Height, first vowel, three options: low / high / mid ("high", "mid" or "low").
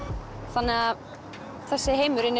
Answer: low